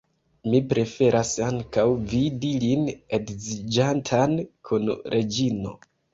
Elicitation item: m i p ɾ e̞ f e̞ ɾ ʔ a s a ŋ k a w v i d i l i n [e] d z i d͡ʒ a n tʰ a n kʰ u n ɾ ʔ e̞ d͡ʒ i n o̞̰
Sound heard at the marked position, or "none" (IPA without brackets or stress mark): e